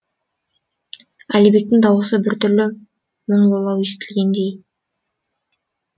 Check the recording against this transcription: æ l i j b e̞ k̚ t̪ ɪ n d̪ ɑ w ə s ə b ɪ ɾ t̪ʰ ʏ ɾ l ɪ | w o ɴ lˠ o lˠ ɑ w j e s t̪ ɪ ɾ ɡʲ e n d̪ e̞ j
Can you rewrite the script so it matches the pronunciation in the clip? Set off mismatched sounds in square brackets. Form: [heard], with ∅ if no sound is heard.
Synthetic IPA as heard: æ l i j b e̞ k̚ t̪ ɪ [ŋ] d̪ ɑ w ə s ə b ɪ ɾ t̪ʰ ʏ ɾ l ɪ | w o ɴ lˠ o lˠ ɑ w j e s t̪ ɪ [l] ɡʲ e n d̪ e̞ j